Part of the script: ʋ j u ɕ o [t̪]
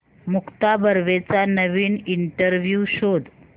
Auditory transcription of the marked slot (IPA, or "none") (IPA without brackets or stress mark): d̪